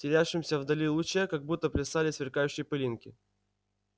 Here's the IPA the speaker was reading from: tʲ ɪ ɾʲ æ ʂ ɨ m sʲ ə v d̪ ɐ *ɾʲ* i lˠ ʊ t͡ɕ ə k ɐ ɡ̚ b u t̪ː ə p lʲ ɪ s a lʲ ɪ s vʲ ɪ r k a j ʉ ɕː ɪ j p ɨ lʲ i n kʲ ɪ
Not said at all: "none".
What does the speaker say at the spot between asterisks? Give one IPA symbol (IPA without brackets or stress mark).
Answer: lʲ